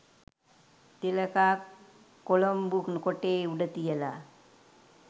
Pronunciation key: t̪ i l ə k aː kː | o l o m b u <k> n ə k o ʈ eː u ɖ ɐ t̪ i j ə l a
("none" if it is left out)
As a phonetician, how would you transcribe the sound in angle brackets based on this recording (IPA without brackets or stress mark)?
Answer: k